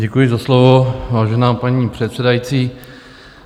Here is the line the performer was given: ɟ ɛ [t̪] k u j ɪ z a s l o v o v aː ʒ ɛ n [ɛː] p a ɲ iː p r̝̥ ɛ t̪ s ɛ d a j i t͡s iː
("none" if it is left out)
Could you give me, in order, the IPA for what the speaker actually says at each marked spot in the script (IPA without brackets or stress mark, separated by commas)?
none, aː